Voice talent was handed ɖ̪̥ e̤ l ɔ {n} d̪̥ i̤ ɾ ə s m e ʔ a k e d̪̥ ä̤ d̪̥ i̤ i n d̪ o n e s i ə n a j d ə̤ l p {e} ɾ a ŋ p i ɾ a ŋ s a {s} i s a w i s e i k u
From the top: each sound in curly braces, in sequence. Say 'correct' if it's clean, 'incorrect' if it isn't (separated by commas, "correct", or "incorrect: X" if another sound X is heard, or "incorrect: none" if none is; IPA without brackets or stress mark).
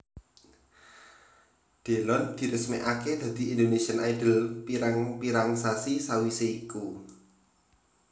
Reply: correct, incorrect: i, correct